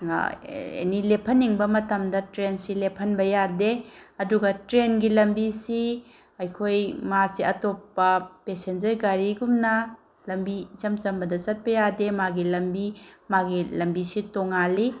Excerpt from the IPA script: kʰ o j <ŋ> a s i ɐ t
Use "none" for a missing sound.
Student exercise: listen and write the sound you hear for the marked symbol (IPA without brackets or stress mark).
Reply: m